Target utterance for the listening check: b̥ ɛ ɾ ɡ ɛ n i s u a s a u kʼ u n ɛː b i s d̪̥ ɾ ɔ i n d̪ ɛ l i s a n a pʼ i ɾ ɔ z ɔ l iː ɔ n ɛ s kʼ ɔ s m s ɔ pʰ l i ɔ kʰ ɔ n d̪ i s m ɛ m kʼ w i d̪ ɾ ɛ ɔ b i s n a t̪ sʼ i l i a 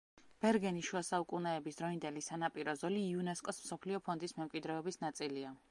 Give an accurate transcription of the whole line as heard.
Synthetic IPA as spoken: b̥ ɛ ɾ ɡ ɛ n i ʃ u a s a u kʼ u n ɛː b i s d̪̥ ɾ ɔ i n d̪ ɛ l i s a n a pʼ i ɾ ɔ z ɔ l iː u n ɛ s kʼ ɔ s m s ɔ pʰ l i ɔ pʰ ɔ n d̪ i s m ɛ m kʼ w i d̪ ɾ ɛ ɔ b i s n a t̪ sʼ i l i a